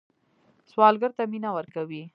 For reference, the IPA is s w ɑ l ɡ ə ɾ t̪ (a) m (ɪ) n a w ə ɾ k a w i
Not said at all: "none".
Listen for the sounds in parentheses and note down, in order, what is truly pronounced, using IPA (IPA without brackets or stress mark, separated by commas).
a, i